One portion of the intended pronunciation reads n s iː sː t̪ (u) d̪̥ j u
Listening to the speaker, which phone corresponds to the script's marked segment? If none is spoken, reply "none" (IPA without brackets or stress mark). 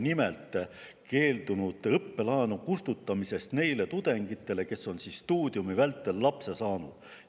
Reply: uː